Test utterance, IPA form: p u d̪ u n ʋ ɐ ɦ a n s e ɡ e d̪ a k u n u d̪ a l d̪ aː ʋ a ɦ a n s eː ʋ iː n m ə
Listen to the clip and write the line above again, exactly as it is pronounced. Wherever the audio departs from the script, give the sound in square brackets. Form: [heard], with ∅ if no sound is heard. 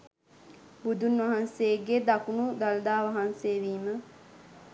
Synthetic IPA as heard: [b] u d̪ u n ʋ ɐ ɦ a n s e ɡ e d̪ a k u n u d̪ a l d̪ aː ʋ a ɦ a n s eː ʋ iː [∅] m ə